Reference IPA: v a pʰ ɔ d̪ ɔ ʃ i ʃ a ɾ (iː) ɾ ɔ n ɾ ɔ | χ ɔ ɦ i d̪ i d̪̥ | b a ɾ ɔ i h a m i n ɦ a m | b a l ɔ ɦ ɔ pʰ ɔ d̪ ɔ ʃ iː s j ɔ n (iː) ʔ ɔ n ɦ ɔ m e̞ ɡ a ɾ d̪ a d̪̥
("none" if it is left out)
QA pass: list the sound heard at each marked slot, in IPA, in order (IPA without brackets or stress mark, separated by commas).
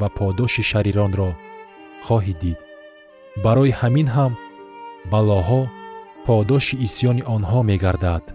i, i